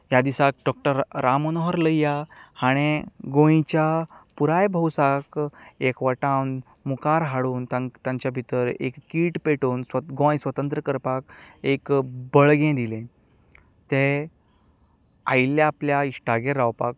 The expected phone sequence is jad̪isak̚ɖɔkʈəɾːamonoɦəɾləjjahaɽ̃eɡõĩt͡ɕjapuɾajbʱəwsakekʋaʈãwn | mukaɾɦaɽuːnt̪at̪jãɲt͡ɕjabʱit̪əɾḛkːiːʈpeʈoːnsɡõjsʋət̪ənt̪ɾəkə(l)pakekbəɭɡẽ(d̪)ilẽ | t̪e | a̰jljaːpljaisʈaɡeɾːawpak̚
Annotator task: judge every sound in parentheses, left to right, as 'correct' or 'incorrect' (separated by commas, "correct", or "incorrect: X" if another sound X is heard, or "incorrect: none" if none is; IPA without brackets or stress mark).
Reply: incorrect: ɾ, correct